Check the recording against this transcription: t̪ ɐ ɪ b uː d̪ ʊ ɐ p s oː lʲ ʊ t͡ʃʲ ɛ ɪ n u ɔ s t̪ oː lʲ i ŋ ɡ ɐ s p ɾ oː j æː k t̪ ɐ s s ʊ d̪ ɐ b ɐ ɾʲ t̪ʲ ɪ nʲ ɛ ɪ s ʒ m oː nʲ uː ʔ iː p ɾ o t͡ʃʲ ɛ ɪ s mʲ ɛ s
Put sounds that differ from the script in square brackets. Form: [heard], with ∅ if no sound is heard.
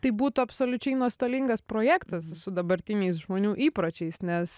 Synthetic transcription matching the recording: t̪ ɐ ɪ b uː [t̪] ʊ ɐ p s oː lʲ ʊ t͡ʃʲ ɛ ɪ n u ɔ s t̪ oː lʲ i ŋ ɡ ɐ s p ɾ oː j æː k t̪ ɐ s s ʊ d̪ ɐ b ɐ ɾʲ t̪ʲ ɪ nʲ ɛ ɪ s ʒ m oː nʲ uː ʔ iː p ɾ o t͡ʃʲ ɛ ɪ s [nʲ] ɛ s